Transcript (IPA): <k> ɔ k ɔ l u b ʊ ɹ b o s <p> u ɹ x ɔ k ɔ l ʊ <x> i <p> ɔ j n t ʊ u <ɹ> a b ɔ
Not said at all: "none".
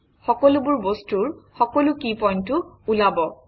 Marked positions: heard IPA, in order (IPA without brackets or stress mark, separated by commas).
x, t, k, p, l